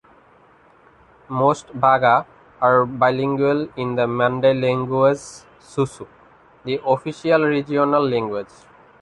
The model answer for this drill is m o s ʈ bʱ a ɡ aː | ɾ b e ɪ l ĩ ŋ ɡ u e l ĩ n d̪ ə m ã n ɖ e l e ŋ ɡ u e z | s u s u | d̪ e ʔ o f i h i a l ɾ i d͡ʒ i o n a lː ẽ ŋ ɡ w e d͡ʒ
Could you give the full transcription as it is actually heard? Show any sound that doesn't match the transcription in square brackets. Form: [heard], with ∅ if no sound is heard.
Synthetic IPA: m o s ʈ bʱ a ɡ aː | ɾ b [a] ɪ l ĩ ŋ ɡ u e l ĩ n d̪ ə m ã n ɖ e l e ŋ ɡ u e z | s u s u | d̪ [i] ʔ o f i [ʃ] i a l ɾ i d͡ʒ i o n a lː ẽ ŋ ɡ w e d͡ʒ